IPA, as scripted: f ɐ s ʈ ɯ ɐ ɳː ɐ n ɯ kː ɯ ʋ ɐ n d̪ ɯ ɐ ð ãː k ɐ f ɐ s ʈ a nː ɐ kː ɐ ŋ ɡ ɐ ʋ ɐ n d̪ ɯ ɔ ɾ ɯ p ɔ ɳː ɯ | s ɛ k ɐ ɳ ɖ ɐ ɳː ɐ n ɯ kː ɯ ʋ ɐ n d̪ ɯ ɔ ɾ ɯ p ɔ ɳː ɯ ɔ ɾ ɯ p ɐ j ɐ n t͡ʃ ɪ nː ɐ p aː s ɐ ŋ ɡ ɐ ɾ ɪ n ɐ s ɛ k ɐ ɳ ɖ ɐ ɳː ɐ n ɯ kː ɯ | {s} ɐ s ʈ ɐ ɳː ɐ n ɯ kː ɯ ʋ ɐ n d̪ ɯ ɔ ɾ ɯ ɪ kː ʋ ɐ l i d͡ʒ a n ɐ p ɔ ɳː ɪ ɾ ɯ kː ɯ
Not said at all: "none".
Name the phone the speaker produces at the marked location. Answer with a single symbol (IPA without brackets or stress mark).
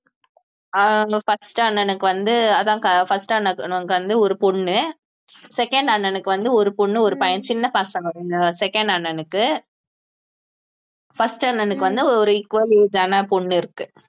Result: f